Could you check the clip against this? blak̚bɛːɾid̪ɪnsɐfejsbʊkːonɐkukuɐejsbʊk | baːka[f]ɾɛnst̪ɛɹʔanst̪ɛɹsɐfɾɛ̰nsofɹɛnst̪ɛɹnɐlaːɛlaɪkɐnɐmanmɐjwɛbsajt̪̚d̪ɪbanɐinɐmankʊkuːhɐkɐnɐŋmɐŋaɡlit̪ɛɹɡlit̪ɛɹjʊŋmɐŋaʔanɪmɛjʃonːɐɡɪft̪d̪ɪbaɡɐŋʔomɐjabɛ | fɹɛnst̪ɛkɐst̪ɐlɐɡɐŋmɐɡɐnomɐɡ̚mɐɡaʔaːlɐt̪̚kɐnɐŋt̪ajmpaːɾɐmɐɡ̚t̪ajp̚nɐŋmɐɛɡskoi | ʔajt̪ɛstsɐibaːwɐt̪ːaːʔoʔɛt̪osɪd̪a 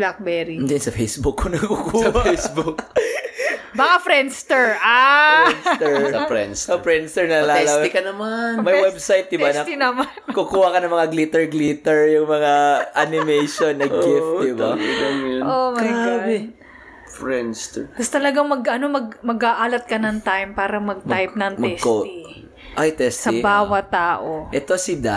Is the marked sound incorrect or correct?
correct